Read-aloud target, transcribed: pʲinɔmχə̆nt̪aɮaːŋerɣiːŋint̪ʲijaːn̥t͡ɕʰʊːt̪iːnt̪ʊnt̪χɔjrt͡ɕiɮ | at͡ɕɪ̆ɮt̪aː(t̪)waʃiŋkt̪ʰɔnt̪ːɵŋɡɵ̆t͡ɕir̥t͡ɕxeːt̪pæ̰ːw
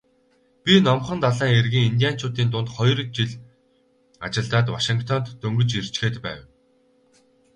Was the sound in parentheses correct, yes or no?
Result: yes